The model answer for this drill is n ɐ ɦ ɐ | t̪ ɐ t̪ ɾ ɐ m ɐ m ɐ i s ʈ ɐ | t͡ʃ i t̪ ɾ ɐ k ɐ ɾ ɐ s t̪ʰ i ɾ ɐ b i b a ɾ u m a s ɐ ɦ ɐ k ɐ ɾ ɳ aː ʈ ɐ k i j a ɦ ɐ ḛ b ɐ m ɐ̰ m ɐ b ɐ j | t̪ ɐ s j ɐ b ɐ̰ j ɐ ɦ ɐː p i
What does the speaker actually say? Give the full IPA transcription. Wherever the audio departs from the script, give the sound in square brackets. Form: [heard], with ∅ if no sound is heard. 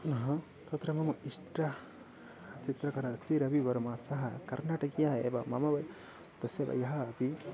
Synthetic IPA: n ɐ ɦ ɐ | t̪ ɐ t̪ ɾ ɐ m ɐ m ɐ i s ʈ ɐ | t͡ʃ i t̪ ɾ ɐ k ɐ ɾ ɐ s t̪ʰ i ɾ ɐ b i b [ɐ] ɾ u m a s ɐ ɦ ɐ k ɐ ɾ [n] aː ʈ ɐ k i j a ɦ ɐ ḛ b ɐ m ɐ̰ m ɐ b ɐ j | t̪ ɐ s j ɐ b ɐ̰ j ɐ ɦ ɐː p i